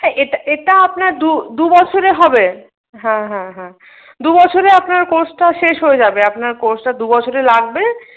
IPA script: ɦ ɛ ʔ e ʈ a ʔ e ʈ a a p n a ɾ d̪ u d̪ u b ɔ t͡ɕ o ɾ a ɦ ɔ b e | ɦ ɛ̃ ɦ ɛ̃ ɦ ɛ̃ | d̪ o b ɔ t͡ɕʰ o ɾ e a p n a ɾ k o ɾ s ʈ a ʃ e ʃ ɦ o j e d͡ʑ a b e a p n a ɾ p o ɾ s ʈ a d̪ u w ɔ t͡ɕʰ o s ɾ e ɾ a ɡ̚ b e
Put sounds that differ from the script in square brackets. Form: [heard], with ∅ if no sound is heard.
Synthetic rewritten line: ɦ ɛ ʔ e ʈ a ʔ e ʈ a a p n a ɾ d̪ u d̪ u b ɔ [t͡ɕʰ] o ɾ [e] ɦ ɔ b e | ɦ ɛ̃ ɦ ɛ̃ ɦ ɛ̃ | d̪ [u] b ɔ t͡ɕʰ o ɾ e a p n a ɾ k o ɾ s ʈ a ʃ e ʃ ɦ o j e d͡ʑ a b e a p n a ɾ [k] o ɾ s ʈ a d̪ u [b] ɔ t͡ɕʰ o [∅] ɾ e [l] a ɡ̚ b e